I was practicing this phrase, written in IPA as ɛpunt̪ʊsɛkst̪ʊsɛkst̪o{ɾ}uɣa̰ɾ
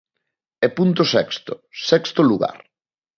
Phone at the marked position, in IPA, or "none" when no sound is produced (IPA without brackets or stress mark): l